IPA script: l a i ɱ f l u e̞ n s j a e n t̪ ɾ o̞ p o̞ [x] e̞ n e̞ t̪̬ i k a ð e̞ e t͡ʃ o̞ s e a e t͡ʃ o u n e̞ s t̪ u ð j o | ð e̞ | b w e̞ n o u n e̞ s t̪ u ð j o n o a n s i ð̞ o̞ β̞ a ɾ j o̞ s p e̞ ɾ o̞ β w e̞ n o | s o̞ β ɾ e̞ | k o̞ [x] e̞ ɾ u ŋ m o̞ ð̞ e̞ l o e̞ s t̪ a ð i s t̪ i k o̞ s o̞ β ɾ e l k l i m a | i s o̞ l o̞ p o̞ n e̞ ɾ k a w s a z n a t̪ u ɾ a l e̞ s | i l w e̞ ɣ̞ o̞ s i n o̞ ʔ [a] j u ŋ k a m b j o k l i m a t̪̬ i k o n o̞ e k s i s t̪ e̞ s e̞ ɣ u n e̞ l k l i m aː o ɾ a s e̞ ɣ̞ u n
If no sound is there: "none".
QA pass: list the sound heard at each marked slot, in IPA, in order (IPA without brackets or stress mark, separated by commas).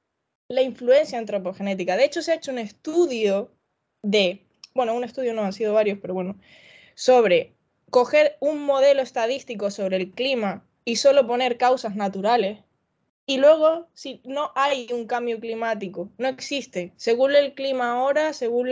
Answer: x, x, a